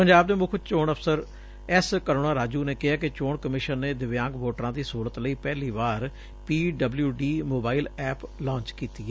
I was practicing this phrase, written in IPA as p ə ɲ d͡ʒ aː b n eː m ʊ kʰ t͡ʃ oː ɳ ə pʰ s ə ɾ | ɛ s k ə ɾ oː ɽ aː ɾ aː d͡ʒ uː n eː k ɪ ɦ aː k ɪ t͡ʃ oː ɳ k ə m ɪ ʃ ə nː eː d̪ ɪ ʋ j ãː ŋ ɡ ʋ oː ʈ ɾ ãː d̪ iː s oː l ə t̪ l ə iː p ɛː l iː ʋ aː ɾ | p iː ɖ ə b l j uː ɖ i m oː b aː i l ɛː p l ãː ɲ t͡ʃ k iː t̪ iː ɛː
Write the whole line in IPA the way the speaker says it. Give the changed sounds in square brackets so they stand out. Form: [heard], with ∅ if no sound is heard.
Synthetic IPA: p ə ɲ d͡ʒ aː b n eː m ʊ kʰ t͡ʃ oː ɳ ə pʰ s ə ɾ | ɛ s k ə ɾ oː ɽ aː ɾ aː d͡ʒ uː n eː k ɪ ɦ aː k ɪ t͡ʃ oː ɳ k ə m ɪ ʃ ə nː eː d̪ ɪ ʋ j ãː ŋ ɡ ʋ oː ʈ ɾ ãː d̪ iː s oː l ə t̪ l ə iː p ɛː l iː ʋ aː ɾ | p iː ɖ ə b l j uː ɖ [iː] m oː b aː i l ɛː p l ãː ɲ t͡ʃ k iː t̪ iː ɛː